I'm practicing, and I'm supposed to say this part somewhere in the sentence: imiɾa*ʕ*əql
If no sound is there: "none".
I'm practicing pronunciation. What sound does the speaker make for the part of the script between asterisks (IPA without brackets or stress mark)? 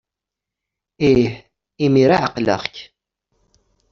ʕ